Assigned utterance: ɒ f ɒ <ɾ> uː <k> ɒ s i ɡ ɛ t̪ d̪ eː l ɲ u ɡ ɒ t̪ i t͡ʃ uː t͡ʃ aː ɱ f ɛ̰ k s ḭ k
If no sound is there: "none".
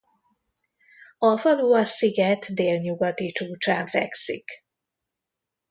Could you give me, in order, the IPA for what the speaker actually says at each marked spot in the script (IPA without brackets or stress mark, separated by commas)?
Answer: l, none